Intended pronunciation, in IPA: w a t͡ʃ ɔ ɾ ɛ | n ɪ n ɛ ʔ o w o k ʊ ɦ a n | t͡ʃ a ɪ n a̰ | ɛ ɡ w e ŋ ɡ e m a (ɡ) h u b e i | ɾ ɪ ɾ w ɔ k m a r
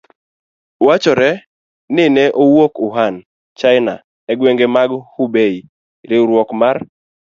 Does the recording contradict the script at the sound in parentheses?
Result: no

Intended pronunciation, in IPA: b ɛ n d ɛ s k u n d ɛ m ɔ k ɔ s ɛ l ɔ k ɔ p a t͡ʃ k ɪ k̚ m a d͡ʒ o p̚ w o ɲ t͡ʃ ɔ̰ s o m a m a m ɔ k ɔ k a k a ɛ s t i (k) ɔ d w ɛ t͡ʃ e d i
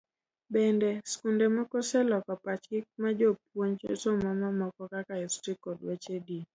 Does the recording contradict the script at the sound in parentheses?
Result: no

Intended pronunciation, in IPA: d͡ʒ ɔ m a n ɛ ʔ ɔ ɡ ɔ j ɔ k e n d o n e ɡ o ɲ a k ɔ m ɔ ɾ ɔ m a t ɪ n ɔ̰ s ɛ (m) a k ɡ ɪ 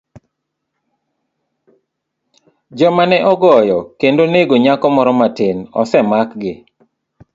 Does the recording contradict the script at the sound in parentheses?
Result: no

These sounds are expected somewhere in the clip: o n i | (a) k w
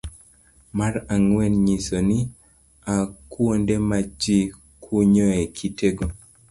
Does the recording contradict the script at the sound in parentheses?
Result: no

